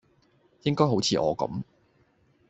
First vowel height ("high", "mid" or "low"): high